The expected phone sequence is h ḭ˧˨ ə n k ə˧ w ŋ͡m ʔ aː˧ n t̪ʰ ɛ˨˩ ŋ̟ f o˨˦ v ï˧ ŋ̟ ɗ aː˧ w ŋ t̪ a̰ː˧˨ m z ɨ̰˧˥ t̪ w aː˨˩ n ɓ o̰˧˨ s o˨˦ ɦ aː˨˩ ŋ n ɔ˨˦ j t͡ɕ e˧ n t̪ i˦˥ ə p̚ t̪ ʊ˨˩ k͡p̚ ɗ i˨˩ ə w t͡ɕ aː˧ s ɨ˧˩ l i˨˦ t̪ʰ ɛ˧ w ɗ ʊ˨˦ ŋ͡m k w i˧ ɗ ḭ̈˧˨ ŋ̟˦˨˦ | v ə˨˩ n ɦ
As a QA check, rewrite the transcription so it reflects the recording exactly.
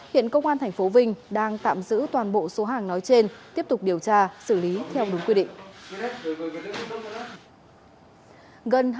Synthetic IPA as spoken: h ḭ˧˨ ə n k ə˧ w ŋ͡m ʔ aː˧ n t̪ʰ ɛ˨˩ ŋ̟ f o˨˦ v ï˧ ŋ̟ ɗ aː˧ ŋ t̪ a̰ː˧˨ m z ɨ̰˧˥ t̪ w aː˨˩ n ɓ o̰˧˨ s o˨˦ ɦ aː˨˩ ŋ n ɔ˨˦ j t͡ɕ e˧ n t̪ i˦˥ ə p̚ t̪ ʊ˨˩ k͡p̚ ɗ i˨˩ ə w t͡ɕ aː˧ s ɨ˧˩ l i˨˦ t̪ʰ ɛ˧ w ɗ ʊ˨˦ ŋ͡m k w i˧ ɗ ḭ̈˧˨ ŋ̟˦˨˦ | ɣ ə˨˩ n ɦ